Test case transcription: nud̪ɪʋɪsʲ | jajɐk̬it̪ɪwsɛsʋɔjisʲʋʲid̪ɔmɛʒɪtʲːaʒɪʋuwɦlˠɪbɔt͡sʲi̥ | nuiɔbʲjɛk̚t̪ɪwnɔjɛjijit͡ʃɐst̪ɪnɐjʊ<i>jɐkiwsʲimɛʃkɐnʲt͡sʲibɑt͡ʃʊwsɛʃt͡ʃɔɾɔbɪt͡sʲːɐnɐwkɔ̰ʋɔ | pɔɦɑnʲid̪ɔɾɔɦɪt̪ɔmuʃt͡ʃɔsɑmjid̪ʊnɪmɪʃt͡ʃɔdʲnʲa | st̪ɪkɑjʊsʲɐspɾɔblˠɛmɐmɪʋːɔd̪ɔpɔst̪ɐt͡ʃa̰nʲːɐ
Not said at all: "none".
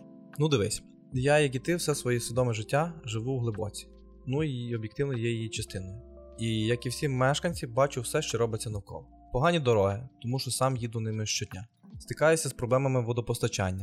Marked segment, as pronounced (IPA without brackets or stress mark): i